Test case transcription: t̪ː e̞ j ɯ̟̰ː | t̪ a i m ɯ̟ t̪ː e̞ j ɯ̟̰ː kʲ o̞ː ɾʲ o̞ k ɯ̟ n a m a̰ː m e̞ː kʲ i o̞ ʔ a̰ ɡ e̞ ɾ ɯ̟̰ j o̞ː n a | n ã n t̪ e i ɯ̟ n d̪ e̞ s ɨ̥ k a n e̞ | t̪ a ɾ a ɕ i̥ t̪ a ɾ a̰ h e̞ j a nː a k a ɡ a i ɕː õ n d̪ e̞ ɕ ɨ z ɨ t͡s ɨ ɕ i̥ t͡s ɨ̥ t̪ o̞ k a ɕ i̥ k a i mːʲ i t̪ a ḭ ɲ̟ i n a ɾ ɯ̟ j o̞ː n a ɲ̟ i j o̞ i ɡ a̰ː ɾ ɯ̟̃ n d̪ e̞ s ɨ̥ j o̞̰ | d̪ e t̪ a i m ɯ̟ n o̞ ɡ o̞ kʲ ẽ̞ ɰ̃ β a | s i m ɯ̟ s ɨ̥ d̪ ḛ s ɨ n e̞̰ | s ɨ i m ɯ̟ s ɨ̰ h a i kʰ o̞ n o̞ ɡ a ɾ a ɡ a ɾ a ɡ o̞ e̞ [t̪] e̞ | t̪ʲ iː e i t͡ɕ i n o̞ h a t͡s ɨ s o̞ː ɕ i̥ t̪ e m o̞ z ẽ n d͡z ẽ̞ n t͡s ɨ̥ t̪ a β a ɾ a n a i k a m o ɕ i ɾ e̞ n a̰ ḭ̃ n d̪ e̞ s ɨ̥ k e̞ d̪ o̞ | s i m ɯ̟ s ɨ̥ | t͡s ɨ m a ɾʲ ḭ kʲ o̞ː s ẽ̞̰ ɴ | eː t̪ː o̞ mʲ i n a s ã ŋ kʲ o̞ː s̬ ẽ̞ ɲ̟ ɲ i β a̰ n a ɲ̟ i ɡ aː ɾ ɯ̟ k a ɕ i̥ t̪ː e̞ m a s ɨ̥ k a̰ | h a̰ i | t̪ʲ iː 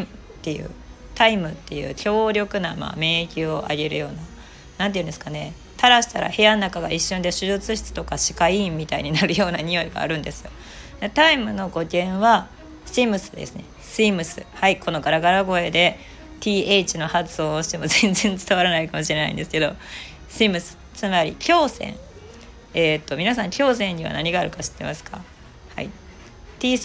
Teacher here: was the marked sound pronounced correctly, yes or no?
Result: no